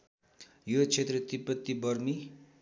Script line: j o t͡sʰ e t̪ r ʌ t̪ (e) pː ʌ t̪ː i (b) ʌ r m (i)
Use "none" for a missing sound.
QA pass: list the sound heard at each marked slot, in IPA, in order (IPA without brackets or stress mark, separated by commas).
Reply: i, b, i